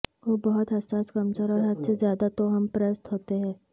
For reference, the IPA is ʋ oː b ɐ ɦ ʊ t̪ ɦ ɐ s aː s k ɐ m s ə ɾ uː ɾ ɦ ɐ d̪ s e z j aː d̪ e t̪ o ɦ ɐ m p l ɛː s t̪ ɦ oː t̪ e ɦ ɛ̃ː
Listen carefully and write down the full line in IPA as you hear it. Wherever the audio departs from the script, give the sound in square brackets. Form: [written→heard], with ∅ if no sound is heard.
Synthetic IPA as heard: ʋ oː b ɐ ɦ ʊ t̪ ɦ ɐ s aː s k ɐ m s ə ɾ [uː→ɔː] ɾ ɦ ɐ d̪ s e z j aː d̪ [e→a] t̪ o ɦ ɐ m p [l→ɾ] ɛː s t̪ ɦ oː t̪ e ɦ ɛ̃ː